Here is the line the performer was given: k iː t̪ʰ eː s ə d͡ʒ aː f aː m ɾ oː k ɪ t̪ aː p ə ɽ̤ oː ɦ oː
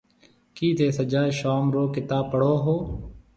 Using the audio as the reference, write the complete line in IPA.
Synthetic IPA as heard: k iː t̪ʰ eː s ə d͡ʒ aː ʃ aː m ɾ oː k ɪ t̪ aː p ə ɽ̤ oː ɦ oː